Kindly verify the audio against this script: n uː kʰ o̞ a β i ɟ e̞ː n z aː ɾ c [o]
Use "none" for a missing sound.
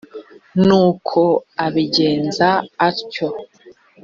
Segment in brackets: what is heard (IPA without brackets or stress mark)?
o